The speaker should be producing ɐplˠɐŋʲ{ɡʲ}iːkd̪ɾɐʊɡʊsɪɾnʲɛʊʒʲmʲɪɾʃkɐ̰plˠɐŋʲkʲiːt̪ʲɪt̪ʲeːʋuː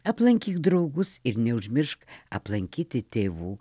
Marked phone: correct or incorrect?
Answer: incorrect